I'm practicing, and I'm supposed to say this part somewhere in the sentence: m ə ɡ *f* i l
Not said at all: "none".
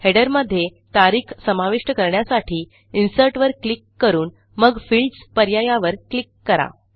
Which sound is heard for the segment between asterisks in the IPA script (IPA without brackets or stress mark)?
f